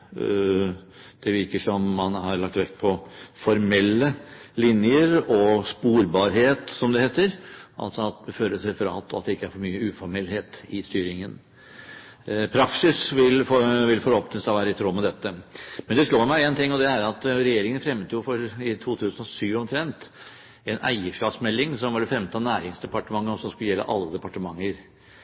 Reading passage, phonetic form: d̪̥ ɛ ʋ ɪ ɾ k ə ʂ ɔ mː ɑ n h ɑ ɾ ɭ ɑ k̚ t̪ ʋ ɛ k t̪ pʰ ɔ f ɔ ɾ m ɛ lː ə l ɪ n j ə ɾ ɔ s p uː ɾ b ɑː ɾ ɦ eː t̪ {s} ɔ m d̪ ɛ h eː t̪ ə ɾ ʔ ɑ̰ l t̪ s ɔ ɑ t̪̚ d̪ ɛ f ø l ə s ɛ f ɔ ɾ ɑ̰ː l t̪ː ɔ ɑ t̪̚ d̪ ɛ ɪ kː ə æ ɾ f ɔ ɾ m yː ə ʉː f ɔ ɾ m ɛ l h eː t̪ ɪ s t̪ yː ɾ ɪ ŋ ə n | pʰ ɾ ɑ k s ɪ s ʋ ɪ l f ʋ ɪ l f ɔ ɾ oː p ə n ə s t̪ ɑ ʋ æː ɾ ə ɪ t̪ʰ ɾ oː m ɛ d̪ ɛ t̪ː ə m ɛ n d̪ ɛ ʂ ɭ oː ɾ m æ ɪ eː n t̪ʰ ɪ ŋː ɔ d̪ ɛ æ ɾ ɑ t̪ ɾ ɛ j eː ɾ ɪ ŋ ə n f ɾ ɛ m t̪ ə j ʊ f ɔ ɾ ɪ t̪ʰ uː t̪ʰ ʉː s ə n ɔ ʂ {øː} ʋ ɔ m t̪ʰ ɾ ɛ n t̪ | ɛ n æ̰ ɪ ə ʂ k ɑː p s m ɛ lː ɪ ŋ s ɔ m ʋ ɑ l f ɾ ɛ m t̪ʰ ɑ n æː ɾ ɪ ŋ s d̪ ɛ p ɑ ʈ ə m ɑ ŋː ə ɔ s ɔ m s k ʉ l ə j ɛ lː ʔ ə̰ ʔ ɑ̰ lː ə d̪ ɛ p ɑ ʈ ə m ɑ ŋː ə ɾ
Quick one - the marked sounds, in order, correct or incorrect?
correct, incorrect

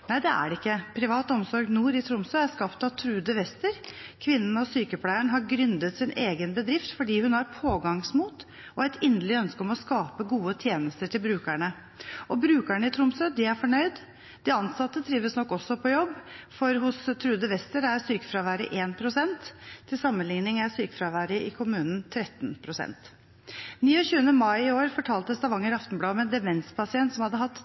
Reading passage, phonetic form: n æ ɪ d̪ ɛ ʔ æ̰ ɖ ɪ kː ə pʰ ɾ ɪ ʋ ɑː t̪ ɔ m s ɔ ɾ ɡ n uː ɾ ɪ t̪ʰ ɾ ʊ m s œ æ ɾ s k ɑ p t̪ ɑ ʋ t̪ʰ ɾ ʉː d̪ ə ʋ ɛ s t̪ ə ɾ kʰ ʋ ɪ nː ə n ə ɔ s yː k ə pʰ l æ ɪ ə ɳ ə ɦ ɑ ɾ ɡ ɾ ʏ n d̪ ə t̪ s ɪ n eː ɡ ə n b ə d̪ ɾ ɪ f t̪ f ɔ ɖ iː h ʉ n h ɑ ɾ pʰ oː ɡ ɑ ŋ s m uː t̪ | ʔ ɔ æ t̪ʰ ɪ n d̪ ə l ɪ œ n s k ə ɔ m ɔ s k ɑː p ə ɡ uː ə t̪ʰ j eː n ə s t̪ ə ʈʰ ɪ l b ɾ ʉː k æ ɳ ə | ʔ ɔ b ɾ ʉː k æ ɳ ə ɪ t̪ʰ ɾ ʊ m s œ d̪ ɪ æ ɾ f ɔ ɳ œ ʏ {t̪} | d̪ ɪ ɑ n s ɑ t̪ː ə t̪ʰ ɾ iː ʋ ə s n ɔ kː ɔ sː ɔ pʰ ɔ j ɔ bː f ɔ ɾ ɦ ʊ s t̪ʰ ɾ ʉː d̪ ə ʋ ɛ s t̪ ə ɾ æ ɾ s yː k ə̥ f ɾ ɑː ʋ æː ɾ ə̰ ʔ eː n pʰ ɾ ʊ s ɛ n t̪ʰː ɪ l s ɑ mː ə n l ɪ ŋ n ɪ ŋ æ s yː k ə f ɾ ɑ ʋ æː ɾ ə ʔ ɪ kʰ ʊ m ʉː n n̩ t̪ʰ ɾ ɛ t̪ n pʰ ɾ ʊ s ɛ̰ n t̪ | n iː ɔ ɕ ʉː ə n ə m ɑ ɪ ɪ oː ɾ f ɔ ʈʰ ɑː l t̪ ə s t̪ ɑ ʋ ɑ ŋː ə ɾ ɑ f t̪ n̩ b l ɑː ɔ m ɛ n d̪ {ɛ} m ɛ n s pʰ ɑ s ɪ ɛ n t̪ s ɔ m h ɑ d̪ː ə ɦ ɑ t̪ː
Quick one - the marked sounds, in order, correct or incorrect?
incorrect, correct

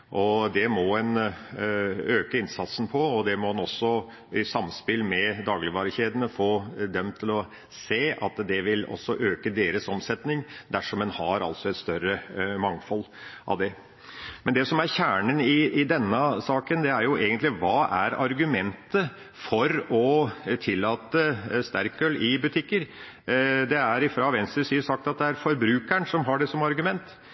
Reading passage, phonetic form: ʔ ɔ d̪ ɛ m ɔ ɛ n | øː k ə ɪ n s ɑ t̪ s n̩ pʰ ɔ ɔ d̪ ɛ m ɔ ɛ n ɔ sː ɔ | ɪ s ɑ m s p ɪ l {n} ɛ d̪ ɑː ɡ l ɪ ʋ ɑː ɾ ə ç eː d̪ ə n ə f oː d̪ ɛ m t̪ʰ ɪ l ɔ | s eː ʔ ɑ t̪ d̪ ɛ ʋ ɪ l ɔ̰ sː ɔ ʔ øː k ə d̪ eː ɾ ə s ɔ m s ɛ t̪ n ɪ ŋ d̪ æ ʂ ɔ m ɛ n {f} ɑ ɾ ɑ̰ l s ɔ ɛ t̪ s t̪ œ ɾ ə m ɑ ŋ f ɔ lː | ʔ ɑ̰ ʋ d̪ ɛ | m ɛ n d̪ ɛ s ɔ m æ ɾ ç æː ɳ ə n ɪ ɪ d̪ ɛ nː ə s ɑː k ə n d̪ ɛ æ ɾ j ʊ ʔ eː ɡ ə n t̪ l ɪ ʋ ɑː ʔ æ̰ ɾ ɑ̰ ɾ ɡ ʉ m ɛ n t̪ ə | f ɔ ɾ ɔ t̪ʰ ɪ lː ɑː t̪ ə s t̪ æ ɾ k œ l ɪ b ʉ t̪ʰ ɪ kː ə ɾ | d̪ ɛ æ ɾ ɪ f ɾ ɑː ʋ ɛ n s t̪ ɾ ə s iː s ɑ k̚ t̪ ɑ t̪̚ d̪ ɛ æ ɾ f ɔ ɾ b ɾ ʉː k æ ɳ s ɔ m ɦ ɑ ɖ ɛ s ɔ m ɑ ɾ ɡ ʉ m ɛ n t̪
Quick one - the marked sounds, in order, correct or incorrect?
incorrect, incorrect

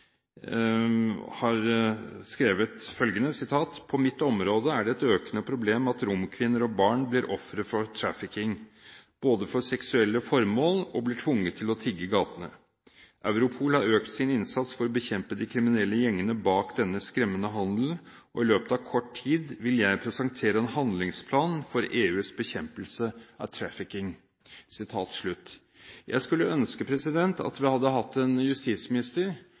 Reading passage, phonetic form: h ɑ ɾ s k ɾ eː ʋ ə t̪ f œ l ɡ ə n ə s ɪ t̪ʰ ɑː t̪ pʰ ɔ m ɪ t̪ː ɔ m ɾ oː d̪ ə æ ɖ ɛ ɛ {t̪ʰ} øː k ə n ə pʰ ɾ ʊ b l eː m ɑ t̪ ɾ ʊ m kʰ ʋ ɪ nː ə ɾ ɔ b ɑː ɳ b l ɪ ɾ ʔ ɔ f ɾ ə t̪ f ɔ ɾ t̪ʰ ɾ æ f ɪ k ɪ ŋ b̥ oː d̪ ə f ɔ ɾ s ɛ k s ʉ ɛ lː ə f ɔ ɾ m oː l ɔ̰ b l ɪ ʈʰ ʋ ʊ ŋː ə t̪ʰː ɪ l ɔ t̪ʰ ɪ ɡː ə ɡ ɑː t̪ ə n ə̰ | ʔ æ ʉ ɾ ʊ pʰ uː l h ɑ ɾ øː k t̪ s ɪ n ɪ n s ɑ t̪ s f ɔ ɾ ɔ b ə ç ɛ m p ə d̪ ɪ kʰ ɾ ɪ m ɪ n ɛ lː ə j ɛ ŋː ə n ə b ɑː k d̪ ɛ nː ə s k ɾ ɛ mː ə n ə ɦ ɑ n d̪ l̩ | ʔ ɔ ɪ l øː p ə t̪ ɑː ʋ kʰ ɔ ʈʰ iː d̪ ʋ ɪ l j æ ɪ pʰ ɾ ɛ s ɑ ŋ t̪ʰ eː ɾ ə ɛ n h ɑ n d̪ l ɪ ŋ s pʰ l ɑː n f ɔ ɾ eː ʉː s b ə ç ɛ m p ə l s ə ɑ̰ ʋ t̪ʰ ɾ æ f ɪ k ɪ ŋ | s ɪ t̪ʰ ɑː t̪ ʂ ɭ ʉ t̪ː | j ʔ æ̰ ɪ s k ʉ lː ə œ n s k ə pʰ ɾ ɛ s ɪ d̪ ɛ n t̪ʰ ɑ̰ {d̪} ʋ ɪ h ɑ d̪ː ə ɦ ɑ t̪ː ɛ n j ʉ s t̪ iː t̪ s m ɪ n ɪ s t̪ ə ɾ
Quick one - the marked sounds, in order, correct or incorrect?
incorrect, incorrect

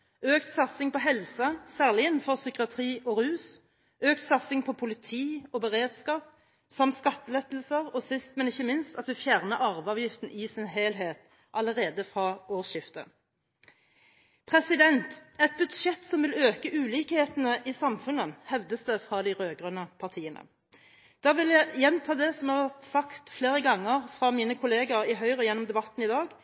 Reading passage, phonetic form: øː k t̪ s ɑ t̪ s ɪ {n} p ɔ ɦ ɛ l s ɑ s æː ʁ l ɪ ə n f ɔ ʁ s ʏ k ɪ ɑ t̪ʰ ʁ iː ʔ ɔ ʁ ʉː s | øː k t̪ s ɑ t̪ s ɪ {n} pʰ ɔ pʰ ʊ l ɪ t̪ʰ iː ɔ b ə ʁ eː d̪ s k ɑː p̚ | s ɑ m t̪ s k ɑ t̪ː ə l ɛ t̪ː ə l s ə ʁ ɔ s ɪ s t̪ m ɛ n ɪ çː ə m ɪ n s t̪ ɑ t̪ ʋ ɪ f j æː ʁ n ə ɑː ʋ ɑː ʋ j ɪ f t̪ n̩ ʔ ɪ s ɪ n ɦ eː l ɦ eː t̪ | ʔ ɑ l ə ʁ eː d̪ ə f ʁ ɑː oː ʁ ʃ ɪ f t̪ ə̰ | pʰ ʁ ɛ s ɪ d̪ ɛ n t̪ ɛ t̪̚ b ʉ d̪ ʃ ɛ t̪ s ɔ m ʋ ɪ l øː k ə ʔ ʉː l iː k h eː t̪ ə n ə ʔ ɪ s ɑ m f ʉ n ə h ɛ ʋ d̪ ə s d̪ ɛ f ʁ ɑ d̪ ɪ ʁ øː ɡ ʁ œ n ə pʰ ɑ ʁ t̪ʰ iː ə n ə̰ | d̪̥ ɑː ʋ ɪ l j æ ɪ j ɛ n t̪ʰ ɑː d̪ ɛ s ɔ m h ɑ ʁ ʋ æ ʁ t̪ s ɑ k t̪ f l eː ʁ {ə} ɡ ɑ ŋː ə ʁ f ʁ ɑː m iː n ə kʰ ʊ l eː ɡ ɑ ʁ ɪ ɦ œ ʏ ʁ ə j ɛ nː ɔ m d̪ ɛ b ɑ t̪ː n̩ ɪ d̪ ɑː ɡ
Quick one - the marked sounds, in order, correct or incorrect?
incorrect, incorrect, correct

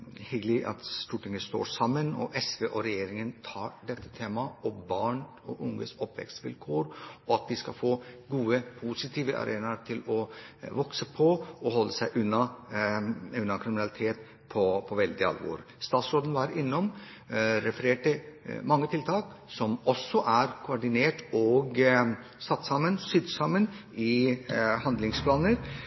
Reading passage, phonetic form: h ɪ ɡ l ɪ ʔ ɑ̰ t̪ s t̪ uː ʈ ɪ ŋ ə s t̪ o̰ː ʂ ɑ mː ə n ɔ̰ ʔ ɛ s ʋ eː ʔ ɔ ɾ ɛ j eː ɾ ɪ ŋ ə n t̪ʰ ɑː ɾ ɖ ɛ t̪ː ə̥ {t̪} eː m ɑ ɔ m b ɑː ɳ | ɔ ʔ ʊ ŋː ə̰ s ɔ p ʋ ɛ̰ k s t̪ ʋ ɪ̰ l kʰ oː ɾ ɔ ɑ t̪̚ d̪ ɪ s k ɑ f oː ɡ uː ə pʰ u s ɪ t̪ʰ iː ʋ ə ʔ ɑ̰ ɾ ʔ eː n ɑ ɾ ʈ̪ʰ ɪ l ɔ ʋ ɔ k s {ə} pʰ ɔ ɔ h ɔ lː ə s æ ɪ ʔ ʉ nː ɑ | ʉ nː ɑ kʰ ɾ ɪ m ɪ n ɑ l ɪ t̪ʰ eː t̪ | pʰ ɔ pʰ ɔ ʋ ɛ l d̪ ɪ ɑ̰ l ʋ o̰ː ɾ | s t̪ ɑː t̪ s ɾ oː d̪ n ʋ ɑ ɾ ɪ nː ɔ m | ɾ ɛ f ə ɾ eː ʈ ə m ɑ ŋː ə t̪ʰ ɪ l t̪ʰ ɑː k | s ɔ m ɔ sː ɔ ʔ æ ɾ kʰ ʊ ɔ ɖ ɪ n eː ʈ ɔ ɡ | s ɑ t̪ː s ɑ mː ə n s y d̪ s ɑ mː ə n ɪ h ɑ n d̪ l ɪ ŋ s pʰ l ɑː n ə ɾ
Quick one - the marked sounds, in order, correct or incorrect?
incorrect, correct

